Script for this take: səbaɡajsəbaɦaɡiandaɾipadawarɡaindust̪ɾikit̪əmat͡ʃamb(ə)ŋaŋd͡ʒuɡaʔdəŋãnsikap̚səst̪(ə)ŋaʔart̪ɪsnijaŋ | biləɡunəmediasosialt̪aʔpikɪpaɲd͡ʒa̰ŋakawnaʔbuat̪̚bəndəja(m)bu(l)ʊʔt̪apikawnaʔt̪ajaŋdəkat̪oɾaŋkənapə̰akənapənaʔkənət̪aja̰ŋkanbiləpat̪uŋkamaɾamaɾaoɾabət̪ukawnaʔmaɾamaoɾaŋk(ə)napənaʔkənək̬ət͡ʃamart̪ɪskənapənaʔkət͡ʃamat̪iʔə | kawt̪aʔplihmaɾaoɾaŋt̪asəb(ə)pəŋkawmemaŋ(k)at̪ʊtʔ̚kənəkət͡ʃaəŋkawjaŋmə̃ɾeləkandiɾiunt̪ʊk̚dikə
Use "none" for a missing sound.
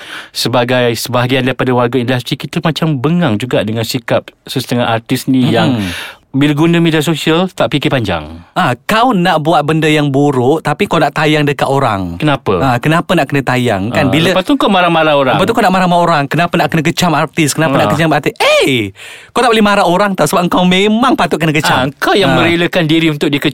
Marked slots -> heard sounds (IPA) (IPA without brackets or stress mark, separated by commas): ə, ə, ŋ, ɾ, ə, a, p